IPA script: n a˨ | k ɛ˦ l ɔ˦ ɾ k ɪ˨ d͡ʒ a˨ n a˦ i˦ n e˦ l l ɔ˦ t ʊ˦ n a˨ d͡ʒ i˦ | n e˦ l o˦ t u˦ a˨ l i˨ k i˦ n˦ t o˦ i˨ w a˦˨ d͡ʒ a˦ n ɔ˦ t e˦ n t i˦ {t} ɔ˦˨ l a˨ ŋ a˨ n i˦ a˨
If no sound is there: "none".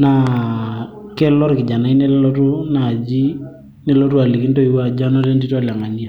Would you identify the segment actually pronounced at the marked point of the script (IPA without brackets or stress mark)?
t